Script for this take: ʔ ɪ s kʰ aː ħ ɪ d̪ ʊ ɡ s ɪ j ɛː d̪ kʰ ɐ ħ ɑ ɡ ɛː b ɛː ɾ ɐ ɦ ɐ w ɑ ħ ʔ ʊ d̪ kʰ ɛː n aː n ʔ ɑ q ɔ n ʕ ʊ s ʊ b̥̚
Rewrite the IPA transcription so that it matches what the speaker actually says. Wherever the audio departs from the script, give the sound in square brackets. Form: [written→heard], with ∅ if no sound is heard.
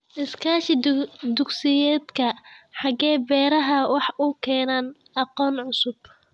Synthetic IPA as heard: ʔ ɪ s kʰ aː [ħ→ʃ] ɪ d̪ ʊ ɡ s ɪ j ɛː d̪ kʰ ɐ ħ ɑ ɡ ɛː b ɛː ɾ ɐ ɦ ɐ w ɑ ħ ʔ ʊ [d̪→∅] kʰ ɛː n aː n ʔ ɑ q [ɔ→ɔː] n ʕ ʊ s ʊ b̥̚